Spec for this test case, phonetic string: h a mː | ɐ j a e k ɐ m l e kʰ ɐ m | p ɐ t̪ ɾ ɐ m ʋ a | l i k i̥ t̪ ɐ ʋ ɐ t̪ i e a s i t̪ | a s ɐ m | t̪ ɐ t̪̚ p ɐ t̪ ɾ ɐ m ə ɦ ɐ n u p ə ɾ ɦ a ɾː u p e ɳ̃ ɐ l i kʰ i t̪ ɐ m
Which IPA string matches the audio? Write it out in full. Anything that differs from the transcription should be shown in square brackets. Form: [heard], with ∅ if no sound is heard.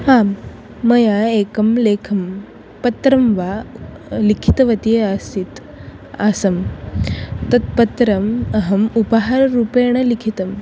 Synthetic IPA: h a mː | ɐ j a e k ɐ m l e kʰ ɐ m | p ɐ t̪ ɾ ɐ m ʋ a | l i [kʰ] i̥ t̪ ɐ ʋ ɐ t̪ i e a s i t̪ | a s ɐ m | t̪ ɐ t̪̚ p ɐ t̪ ɾ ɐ m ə ɦ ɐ [m] u p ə [∅] ɦ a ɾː u p e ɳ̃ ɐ l i kʰ i t̪ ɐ m